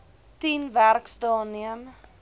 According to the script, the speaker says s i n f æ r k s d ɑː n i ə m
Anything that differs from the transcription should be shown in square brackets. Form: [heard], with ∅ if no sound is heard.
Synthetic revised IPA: [t] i n [v] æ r k s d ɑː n i ə m